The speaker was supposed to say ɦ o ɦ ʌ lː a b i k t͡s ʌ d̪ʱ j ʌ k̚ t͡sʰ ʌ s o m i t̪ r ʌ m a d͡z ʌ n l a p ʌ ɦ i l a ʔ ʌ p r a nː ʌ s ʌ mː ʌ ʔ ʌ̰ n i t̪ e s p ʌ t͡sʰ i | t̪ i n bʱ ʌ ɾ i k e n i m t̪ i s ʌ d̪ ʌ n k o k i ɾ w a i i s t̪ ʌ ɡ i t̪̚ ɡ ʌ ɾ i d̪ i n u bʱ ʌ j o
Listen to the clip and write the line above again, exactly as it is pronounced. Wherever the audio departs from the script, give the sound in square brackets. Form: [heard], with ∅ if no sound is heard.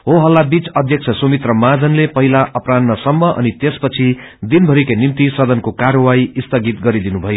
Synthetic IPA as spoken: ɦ o ɦ ʌ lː a b i [∅] t͡s ʌ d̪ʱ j ʌ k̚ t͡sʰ ʌ s o m i t̪ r ʌ m a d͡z ʌ n l [e] p ʌ ɦ i l a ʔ ʌ p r a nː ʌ s ʌ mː ʌ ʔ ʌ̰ n i t̪ e s p ʌ t͡sʰ i | [d̪] i n bʱ ʌ ɾ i k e n i m t̪ i s ʌ d̪ ʌ n k o k [a] ɾ w a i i s t̪ ʌ ɡ i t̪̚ ɡ ʌ ɾ i d̪ i n u bʱ ʌ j o